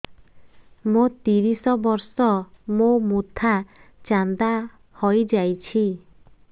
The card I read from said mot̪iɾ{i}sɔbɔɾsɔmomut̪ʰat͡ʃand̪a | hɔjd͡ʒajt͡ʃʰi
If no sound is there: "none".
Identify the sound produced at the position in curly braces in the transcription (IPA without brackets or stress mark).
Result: i